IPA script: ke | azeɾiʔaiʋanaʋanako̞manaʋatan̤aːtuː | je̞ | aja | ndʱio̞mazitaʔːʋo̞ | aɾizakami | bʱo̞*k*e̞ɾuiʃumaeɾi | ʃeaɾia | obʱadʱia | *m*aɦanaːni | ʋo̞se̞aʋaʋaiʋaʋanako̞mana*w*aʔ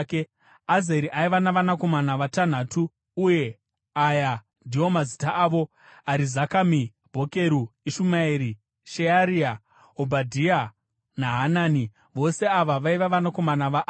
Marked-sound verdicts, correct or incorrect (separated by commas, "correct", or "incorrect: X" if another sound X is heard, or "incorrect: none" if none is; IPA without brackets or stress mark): correct, incorrect: n, incorrect: ʋ